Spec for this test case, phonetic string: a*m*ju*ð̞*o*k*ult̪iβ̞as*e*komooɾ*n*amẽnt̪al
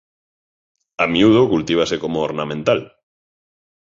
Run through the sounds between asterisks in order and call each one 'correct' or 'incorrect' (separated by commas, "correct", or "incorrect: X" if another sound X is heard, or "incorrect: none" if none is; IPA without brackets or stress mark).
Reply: correct, correct, correct, correct, correct